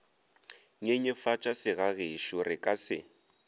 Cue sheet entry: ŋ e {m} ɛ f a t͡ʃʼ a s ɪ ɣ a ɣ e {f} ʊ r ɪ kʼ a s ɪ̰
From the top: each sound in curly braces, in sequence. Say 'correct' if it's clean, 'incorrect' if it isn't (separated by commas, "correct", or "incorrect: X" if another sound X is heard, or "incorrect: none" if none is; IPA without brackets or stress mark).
incorrect: ɲ, incorrect: ʃ